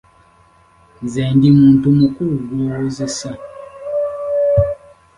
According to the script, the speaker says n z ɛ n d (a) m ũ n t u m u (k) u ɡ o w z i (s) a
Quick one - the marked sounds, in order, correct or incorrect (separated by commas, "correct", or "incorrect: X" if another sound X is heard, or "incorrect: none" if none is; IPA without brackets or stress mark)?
incorrect: i, correct, correct